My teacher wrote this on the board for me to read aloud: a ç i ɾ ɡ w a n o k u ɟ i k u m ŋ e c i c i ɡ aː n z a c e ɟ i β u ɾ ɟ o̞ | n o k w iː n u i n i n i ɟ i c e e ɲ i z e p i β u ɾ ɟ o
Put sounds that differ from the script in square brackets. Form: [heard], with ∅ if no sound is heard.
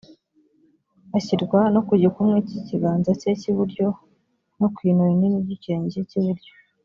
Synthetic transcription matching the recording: a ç i ɾ ɡ w a n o k u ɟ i k u m ŋ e c i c i ɡ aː n z a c e [c] i β u ɾ ɟ o̞ | n o k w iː n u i n i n i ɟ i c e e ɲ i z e [c] i β u ɾ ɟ o

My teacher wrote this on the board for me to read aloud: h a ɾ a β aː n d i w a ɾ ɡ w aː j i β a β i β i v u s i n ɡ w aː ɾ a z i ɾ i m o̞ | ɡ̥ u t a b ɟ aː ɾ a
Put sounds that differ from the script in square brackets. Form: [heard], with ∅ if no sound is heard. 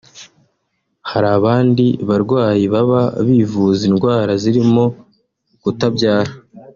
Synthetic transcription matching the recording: h a ɾ a β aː n d i [β] a ɾ ɡ w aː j i β a β [a] β i v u [z] i n ɡ w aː ɾ a z i ɾ i m o̞ | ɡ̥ u t a b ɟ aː ɾ a

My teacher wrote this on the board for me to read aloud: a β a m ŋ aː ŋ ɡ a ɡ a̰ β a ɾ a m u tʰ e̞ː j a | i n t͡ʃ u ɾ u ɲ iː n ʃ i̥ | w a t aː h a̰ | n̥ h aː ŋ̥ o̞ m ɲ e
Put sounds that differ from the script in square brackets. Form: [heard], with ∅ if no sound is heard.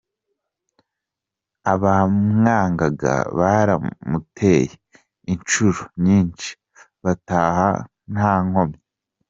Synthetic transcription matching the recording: a β a m ŋ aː ŋ ɡ a ɡ a̰ β a ɾ a m u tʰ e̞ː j [e] | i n t͡ʃ u ɾ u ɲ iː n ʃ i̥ | [β] a t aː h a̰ | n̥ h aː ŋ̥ o̞ m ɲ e

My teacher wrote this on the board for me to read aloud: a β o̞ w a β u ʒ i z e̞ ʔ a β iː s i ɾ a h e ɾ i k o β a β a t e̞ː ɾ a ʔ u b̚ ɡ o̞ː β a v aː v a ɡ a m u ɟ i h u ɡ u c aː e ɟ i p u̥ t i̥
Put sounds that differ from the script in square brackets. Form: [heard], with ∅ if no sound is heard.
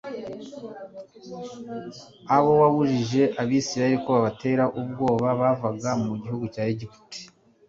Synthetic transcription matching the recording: a β o̞ w a β u ʒ i [ʒ] e̞ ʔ a β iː s i ɾ a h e ɾ i k o β a β a t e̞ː ɾ a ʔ u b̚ ɡ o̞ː β a [β] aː v a ɡ a m u ɟ i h u ɡ u c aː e ɟ i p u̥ t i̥

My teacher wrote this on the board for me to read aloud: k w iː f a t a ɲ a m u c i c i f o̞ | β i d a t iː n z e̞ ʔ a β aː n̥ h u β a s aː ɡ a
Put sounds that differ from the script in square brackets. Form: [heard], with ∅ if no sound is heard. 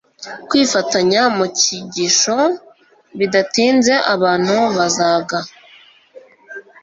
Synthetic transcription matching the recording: k w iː f a t a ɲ a m u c i [ɟ] i [ʃ] o̞ | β i d a t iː n z e̞ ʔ a β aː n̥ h u β a [z] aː ɡ a

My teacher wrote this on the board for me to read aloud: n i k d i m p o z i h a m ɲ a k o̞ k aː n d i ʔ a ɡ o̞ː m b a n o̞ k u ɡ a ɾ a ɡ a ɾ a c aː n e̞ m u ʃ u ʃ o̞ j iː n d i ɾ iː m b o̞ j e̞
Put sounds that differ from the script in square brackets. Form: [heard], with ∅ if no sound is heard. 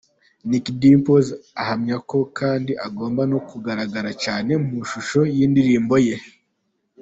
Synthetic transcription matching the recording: n i k d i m p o z [a] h a m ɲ a k o̞ k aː n d i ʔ a ɡ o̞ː m b a n o̞ k u ɡ a ɾ a ɡ a ɾ a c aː n e̞ m u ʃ u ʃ o̞ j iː n d i ɾ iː m b o̞ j e̞

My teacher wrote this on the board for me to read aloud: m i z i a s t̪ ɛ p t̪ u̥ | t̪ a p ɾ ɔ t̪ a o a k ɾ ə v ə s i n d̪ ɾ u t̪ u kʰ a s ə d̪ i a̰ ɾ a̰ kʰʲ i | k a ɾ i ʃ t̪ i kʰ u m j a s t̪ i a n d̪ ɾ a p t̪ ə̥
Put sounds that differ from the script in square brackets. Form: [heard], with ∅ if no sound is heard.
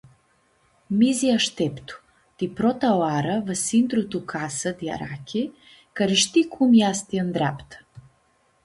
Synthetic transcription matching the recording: m i z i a [ʃ] t̪ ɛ p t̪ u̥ | t̪ [i] p ɾ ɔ t̪ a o a [∅] ɾ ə v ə s i n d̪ ɾ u t̪ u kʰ a s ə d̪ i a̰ ɾ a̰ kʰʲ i | k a ɾ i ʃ t̪ i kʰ u m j a s t̪ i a n d̪ ɾ a p t̪ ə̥

